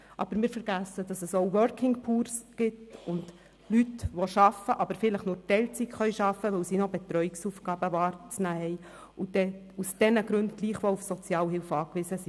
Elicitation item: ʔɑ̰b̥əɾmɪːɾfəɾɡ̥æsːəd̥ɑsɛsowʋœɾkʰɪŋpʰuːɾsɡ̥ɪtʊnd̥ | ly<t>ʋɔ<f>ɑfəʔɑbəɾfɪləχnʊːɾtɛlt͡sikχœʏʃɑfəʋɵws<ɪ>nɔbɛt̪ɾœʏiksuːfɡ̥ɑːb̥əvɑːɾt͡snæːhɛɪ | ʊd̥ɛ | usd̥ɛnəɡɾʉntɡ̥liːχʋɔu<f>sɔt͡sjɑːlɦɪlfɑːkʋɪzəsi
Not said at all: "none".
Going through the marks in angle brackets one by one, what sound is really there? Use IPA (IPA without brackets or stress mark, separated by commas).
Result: t, ʃ, i, f